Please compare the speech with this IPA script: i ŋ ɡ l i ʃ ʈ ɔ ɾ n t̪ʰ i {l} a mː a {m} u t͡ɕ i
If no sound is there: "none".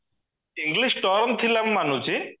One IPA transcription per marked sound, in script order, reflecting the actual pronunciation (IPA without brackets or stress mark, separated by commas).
l, n